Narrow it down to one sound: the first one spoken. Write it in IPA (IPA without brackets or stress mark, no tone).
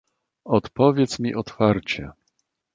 ɔ